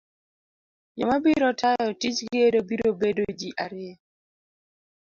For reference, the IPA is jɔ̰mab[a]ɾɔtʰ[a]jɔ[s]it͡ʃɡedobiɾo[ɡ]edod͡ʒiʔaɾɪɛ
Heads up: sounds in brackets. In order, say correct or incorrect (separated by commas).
incorrect, correct, incorrect, incorrect